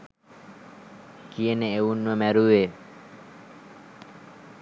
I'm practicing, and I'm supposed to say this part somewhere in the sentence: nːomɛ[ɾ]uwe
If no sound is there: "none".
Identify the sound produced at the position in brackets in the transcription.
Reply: ɾ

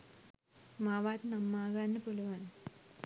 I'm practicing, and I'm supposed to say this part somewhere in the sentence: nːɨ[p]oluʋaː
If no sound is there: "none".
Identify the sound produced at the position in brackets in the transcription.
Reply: p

